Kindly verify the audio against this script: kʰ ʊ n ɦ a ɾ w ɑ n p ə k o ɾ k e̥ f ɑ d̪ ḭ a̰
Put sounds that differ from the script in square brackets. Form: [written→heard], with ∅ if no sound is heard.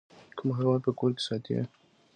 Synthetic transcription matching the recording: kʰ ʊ [n→m] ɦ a ɾ w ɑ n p ə k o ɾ k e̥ [f→s] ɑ [d̪→t̪] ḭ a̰